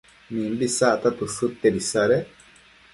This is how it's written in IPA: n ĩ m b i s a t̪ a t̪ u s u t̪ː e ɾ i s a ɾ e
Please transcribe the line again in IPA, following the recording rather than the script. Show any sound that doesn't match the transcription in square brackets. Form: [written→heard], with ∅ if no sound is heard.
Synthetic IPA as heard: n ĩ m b i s a t̪ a t̪ u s u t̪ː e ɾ i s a ɾ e